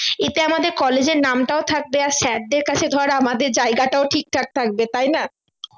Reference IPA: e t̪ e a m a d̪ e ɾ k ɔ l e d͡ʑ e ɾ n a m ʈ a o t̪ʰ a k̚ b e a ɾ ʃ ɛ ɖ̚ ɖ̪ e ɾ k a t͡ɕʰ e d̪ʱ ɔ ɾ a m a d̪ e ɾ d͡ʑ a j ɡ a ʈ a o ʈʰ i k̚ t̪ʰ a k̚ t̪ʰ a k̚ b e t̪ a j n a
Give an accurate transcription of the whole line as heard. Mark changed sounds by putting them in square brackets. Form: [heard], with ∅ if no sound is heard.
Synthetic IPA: e t̪ e a m a d̪ e ɾ k ɔ l e d͡ʑ e ɾ n a m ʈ a o t̪ʰ a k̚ b e a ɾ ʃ ɛ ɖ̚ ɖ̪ e ɾ k a t͡ɕʰ e d̪ʱ ɔ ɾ a m a d̪ e ɾ d͡ʑ a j ɡ a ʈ a o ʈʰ i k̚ t̪ʰ a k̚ t̪ʰ a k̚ b e t̪ a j n a